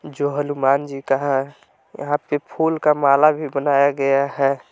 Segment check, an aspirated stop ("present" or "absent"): present